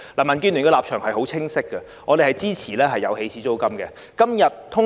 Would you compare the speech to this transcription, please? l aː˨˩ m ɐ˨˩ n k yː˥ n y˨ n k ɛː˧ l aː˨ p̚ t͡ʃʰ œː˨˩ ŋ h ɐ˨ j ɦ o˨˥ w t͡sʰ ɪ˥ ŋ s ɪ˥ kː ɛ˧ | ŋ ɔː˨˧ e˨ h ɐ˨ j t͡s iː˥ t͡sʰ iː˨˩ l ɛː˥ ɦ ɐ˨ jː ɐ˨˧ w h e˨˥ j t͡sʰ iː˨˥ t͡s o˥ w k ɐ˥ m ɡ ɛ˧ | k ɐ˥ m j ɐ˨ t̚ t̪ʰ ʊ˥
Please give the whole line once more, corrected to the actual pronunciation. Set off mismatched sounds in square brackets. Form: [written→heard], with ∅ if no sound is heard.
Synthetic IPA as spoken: l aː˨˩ m ɐ˨˩ n k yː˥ n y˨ n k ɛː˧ l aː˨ p̚ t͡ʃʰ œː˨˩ ŋ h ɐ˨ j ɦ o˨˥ w t͡sʰ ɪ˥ ŋ s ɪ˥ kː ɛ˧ | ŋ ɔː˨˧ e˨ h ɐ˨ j t͡s iː˥ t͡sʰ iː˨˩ l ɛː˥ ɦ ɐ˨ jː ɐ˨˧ w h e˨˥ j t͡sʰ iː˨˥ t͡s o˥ w k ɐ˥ m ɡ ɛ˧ | k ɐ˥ m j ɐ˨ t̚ t̪ʰ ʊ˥